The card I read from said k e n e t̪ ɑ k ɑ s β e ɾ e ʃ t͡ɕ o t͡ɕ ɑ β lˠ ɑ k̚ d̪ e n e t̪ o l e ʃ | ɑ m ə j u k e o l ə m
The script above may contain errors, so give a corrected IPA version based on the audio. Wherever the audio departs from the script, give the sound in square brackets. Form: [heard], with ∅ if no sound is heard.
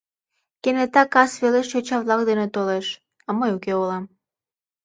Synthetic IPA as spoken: k e n e t̪ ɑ k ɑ s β e [l] e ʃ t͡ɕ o t͡ɕ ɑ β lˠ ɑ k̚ d̪ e n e t̪ o l e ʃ | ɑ m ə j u k e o l [ɑ] m